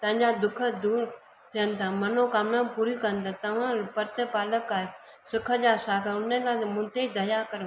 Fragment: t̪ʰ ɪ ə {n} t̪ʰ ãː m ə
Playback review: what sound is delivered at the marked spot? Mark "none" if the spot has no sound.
n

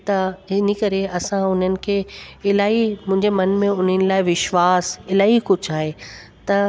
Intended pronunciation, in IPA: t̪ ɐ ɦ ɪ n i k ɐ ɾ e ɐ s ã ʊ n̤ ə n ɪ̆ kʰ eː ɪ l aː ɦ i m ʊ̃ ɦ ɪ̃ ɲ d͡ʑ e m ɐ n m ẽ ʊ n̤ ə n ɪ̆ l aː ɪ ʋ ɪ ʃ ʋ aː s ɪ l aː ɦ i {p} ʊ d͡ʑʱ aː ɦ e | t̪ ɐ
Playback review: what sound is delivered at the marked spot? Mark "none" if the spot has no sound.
k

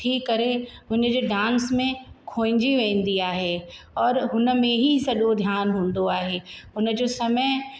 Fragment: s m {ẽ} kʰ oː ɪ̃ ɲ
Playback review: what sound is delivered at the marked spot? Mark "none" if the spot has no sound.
ẽ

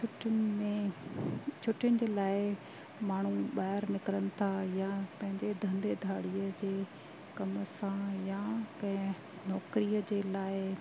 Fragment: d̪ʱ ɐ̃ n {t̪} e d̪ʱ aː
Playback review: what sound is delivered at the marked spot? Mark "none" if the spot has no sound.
d̪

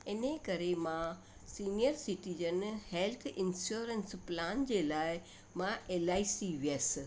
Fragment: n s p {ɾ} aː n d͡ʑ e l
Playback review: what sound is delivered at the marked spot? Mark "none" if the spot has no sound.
l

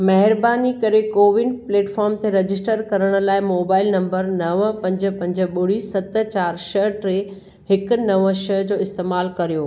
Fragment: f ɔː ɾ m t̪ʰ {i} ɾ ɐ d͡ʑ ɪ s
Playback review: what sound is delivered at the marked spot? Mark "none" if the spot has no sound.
e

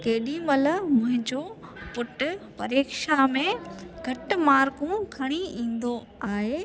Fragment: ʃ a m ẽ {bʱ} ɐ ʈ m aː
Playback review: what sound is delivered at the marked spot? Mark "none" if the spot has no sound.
ɡʱ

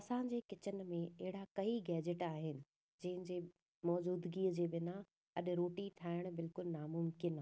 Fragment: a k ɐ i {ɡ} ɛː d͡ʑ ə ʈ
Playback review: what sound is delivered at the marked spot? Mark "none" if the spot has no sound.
ɡ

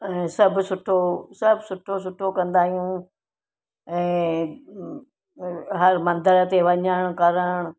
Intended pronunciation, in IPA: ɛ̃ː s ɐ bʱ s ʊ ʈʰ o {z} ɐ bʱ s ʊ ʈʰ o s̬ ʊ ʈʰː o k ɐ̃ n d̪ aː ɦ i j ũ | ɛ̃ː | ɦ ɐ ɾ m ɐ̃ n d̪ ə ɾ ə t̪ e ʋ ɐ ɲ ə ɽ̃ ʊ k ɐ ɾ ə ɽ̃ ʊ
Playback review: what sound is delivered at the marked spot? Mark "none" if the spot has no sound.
s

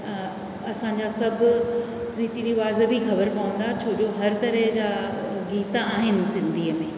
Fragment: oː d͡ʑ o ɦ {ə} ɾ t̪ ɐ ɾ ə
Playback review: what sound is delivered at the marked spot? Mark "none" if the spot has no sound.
ɐ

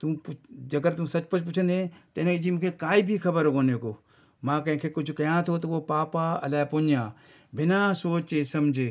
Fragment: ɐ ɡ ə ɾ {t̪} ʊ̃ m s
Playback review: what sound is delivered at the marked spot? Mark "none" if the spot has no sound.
t̪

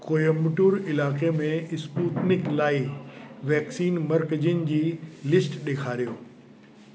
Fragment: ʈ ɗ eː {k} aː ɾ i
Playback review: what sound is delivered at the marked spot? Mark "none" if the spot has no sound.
kʰ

